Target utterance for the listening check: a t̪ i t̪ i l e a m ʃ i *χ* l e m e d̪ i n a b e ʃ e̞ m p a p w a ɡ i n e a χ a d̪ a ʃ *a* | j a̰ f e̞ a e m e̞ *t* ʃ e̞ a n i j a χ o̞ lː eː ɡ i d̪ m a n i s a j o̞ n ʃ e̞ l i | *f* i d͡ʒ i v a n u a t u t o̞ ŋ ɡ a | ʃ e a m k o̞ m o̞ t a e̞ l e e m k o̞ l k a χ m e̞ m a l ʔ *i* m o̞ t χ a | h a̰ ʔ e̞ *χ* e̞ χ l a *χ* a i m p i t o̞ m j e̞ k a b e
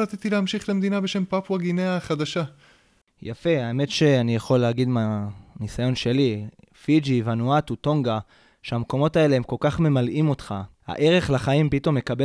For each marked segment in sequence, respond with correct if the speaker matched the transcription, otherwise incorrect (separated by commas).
correct, correct, correct, correct, correct, incorrect, correct